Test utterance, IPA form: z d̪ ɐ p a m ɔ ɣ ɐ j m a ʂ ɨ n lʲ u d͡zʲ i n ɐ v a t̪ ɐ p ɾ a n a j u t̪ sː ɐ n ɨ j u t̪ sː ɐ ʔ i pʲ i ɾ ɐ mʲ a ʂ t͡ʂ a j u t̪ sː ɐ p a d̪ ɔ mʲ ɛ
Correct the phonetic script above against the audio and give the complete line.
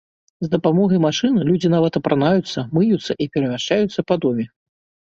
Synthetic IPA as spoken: z d̪ ɐ p a m ɔ ɣ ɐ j m a ʂ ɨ n lʲ u d͡zʲ i n a v ɐ t̪ ɐ p ɾ a n a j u t̪ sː ɐ m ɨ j u t̪ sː ɐ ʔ i pʲ ɛ ɾ ɐ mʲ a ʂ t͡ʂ a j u t̪ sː ɐ p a d̪ ɔ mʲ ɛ

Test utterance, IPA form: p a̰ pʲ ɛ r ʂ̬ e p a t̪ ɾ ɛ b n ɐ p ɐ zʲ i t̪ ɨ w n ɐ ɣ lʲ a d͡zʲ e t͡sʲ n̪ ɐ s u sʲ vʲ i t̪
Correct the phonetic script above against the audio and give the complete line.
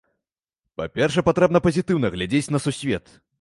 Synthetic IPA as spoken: p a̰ pʲ ɛ r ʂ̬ ɛ p a t̪ ɾ ɛ b n ɐ p ɐ zʲ i t̪ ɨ w n ɐ ɣ lʲ a d͡zʲ e t͡sʲ n̪ ɐ s u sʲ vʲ ɛ t̪

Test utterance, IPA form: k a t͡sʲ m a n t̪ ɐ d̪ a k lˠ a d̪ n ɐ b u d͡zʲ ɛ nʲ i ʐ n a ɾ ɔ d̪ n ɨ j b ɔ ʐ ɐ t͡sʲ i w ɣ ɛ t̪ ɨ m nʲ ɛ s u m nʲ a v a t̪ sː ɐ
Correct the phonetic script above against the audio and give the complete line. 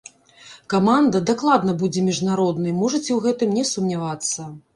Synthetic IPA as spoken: k a m a n d̪ ɐ d̪ a k lˠ a d̪ n ɐ b u d͡zʲ ɛ mʲ i ʐ n a ɾ ɔ d̪ n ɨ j m ɔ ʐ ɐ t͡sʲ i w ɣ ɛ t̪ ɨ m nʲ ɛ s u m nʲ a v a t̪ sː ɐ

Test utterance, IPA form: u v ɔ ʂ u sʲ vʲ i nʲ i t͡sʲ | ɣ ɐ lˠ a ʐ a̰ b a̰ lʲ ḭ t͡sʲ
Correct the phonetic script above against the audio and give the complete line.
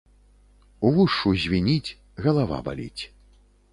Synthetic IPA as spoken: u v u ʂ u zʲ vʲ i nʲ i t͡sʲ | ɣ ɐ lˠ a v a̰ b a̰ lʲ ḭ t͡sʲ

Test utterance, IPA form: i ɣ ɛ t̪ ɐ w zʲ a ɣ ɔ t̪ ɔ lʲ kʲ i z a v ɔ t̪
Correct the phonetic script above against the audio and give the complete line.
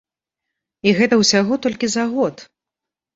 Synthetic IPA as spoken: i ɣ ɛ t̪ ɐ w sʲ a ɣ ɔ t̪ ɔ lʲ kʲ i z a ɣ ɔ t̪

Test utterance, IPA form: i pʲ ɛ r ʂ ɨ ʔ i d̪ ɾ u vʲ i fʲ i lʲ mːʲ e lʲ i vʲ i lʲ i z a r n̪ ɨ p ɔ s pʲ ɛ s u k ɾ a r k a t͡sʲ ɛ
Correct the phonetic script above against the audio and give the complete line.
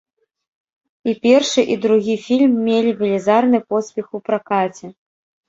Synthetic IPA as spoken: i pʲ ɛ r ʂ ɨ ʔ i d̪ ɾ u ɣʲ i fʲ i lʲ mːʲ e lʲ i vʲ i lʲ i z a r n̪ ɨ p ɔ s pʲ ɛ x u p ɾ a k a t͡sʲ ɛ

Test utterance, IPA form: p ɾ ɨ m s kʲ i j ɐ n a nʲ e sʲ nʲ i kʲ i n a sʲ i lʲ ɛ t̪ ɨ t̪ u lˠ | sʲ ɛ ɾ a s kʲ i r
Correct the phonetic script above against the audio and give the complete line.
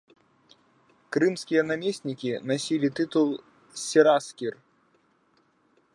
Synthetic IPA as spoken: k ɾ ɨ m s kʲ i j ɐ n a mʲ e sʲ nʲ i kʲ i n a sʲ i lʲ i t̪ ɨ t̪ u lˠ | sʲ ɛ ɾ a s kʲ i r

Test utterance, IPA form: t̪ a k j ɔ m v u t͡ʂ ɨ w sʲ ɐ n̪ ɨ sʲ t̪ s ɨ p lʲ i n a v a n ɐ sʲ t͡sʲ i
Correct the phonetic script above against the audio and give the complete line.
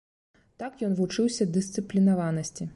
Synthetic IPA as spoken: t̪ a k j ɔ n v u t͡ʂ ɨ w sʲ ɐ d̪ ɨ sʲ t̪ s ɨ p lʲ i n a v a n ɐ sʲ t͡sʲ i

